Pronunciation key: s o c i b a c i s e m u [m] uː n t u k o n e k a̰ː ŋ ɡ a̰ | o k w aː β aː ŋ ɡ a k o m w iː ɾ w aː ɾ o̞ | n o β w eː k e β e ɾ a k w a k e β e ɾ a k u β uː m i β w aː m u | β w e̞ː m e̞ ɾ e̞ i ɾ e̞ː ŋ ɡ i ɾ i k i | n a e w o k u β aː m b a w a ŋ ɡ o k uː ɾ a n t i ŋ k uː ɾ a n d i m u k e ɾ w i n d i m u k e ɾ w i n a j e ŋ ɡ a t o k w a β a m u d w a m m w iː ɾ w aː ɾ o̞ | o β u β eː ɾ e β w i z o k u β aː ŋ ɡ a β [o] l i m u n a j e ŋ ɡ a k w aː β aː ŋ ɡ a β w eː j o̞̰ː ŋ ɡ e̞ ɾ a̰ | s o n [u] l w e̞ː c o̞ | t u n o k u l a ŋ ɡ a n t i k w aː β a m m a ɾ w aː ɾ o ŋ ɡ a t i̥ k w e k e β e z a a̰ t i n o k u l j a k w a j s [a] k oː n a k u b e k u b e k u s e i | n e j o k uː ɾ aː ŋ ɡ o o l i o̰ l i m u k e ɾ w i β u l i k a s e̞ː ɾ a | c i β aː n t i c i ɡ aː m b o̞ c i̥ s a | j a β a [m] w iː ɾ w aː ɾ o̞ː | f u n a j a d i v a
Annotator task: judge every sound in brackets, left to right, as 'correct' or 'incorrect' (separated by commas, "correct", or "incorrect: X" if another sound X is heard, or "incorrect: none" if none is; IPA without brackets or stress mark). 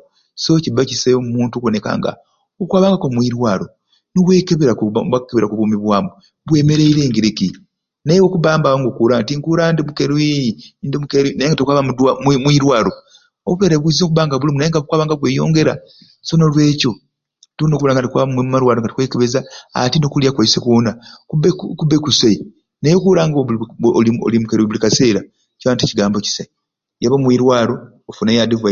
correct, incorrect: u, incorrect: o, incorrect: e, correct